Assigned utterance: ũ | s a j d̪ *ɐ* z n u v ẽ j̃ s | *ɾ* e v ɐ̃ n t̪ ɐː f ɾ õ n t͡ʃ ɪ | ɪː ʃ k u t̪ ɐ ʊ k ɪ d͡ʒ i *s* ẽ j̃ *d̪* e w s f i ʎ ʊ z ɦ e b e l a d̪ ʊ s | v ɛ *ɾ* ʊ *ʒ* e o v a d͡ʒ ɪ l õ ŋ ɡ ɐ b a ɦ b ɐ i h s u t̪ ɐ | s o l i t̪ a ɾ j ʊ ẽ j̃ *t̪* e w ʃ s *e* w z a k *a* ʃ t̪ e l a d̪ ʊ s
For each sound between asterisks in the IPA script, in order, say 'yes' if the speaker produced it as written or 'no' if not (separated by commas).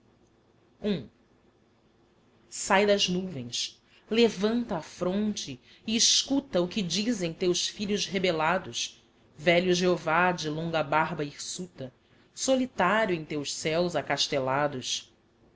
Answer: yes, no, no, no, no, yes, yes, no, yes